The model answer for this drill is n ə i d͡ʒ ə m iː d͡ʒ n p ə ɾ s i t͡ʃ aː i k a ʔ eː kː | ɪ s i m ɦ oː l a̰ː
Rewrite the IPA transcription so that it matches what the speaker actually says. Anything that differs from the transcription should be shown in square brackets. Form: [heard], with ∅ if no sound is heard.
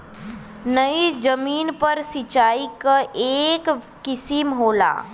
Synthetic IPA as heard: n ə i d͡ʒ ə m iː [∅] n p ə ɾ s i t͡ʃ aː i k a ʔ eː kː | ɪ s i m ɦ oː l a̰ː